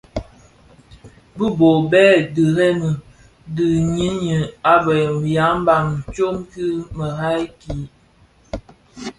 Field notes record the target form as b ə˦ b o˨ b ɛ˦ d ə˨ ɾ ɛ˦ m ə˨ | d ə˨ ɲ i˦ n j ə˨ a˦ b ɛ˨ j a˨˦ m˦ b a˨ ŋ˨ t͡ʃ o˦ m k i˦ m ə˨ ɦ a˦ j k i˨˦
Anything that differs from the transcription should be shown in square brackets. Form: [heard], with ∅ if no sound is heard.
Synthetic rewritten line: b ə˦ b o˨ b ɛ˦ d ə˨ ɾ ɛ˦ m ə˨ | d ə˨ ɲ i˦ n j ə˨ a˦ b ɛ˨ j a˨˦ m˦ b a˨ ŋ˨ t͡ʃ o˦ m k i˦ m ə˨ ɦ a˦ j k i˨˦